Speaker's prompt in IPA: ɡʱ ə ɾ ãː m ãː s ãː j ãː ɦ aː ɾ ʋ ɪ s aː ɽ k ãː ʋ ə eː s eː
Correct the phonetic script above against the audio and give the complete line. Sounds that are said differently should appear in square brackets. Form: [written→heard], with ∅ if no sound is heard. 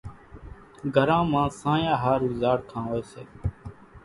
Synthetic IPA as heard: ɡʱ ə ɾ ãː m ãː s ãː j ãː ɦ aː ɾ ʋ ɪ [s→z] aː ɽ [k→kʰ] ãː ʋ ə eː s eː